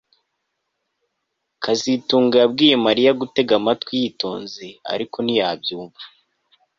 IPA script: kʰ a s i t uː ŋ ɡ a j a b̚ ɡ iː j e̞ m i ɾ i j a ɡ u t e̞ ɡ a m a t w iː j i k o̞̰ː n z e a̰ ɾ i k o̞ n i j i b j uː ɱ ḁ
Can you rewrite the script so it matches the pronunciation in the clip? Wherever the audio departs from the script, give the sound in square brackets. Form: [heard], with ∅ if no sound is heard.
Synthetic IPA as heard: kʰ a [z] i t uː ŋ ɡ a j a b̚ ɡ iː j e̞ m [a] ɾ i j a ɡ u t e̞ ɡ a m a t w [i] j i [t] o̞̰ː n z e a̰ ɾ i k o̞ n i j [a] b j uː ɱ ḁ